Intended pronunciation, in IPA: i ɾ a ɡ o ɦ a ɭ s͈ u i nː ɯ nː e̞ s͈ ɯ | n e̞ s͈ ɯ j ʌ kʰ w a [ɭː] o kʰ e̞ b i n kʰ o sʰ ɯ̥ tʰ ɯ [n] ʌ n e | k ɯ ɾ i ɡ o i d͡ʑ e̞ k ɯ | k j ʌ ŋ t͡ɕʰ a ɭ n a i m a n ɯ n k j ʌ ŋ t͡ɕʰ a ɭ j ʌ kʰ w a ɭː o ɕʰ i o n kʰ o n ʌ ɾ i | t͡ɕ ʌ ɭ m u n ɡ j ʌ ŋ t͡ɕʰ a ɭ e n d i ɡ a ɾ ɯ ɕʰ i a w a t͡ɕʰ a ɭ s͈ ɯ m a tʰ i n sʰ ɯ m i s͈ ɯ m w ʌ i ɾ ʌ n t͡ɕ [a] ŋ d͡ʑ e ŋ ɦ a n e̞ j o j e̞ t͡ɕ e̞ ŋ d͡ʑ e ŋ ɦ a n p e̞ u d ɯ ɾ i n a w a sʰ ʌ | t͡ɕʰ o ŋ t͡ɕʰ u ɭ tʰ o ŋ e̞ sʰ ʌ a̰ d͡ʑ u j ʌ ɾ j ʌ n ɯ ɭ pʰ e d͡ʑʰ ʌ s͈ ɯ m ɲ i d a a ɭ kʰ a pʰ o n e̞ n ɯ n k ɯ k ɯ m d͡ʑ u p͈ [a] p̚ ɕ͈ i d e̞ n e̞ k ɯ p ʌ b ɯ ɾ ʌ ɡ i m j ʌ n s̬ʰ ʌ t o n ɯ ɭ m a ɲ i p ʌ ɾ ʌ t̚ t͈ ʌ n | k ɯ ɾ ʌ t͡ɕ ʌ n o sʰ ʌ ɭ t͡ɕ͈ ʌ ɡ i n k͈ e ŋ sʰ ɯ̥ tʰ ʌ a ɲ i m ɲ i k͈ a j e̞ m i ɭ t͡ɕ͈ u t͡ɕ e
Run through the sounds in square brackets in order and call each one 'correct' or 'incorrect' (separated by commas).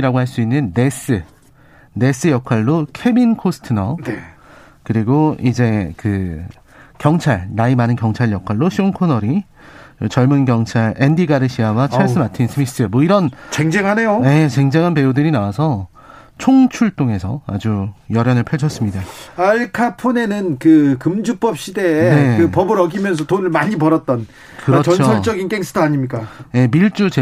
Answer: correct, correct, incorrect, incorrect